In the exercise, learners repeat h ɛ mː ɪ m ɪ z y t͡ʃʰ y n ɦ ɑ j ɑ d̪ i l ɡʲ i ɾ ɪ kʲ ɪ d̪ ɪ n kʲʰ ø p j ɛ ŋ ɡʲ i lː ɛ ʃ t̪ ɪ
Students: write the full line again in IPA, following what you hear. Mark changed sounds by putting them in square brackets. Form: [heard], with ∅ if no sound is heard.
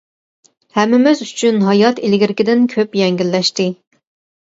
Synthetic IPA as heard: h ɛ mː ɪ m ɪ z y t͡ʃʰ y n ɦ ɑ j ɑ [t̪] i l ɡʲ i ɾ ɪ kʲ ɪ d̪ ɪ n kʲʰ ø p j ɛ ŋ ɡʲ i lː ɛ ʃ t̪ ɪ